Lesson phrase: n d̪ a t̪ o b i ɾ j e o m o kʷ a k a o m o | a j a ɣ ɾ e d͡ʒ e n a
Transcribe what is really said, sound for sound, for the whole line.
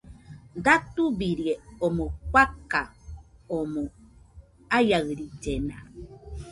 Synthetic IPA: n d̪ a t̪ u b i ɾ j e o m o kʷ a k a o m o | a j a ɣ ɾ i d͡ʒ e n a